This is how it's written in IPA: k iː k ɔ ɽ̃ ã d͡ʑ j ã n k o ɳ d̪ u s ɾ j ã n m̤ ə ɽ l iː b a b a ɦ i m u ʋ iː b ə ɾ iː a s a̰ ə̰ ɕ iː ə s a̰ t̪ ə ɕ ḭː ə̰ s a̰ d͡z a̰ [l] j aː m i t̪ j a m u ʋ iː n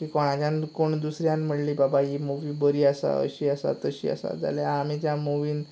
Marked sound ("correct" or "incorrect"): correct